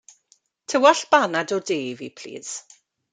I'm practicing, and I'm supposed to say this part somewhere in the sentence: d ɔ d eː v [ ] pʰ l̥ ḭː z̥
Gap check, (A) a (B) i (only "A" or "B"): B